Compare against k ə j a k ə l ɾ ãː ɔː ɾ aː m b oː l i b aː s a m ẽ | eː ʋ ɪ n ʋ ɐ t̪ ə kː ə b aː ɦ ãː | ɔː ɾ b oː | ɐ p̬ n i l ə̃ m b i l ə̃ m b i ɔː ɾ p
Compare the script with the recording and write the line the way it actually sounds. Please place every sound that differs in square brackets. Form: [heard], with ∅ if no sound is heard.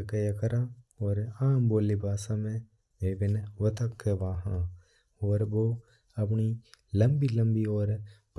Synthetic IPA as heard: k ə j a k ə [∅] ɾ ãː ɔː ɾ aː m b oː l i b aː s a m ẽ | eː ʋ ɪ n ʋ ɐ t̪ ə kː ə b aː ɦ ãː | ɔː ɾ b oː | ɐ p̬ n i l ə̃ m b i l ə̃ m b i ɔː ɾ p